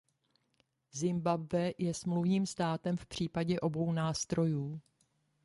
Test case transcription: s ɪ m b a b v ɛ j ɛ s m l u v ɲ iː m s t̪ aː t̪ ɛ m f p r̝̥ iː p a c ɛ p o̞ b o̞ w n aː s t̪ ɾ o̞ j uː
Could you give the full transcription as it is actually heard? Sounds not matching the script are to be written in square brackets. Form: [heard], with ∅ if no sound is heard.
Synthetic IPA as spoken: [z] ɪ m b a b v ɛ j ɛ s m l u v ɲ iː m s t̪ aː t̪ ɛ m f p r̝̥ iː p a [ɟ] ɛ [ʔ] o̞ b o̞ w n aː s t̪ ɾ o̞ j uː